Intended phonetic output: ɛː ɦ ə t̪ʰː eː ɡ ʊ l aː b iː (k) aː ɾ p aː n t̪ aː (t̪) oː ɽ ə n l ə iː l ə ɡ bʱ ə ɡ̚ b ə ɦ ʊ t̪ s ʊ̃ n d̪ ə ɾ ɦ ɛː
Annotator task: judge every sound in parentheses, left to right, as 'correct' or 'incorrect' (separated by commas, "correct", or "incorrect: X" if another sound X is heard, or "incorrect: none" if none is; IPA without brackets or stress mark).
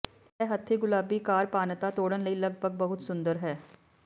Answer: correct, correct